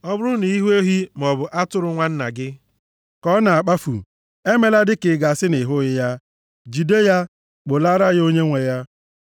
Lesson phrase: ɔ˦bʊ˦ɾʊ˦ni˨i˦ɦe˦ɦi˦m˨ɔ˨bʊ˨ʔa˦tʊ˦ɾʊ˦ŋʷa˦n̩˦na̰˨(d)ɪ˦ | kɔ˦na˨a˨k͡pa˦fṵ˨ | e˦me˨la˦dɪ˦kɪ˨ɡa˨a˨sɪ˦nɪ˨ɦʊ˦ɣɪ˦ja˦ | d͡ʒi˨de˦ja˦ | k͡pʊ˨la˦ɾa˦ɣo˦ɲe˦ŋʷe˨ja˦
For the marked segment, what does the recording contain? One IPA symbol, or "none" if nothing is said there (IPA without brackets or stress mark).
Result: ɡ